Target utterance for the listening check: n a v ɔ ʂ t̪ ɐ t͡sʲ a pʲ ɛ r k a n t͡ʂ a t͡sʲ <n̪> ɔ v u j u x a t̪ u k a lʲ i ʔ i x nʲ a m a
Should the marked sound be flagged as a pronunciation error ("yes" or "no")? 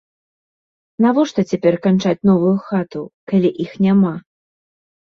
no